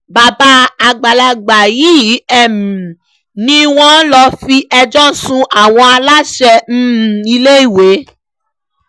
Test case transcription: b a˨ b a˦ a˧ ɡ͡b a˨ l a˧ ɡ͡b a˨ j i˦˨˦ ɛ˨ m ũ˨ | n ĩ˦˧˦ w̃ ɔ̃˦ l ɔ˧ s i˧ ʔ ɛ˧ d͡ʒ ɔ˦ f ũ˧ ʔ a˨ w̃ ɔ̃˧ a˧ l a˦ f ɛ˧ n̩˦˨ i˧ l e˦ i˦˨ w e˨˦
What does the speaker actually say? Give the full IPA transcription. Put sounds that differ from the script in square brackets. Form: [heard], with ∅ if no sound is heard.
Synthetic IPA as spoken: b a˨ b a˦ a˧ ɡ͡b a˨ l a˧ ɡ͡b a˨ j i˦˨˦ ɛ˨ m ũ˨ | n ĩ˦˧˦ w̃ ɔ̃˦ l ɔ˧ [f] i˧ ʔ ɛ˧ d͡ʒ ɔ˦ [s] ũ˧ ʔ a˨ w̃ ɔ̃˧ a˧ l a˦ [ʃ] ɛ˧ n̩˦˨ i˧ l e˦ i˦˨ w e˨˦